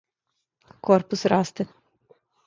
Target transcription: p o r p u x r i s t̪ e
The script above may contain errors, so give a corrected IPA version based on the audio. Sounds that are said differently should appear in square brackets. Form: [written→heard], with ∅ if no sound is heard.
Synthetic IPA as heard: [p→k] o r p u [x→s] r [i→a] s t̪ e